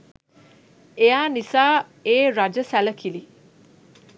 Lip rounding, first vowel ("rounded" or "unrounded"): unrounded